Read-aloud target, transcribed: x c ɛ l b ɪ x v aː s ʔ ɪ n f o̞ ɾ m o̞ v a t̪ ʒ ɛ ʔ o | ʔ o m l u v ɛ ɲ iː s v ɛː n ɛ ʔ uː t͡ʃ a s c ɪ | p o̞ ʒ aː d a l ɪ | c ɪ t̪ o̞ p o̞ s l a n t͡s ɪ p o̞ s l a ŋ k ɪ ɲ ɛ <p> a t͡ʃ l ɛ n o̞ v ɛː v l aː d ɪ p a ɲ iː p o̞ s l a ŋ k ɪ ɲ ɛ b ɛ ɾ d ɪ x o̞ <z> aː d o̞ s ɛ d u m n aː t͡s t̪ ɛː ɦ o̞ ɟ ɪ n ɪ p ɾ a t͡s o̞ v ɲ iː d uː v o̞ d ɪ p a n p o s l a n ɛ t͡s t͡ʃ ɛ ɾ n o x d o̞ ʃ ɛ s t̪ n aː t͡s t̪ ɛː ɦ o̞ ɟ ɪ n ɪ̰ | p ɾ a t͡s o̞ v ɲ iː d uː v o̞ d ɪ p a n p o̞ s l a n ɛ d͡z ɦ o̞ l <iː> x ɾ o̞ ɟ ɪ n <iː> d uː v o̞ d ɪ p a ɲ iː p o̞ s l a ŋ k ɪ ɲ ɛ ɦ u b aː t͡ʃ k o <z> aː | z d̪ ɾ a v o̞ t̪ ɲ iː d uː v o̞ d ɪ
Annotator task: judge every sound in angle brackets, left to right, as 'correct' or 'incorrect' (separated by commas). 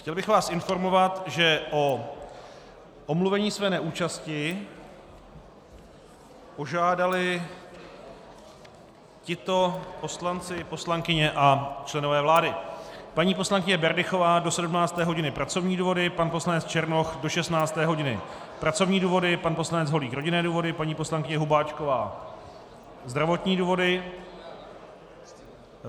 incorrect, incorrect, correct, incorrect, incorrect